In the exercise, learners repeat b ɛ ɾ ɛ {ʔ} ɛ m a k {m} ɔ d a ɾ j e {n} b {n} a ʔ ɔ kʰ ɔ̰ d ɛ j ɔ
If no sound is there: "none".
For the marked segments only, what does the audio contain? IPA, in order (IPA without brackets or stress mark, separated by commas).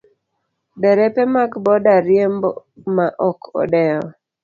p, b, m, m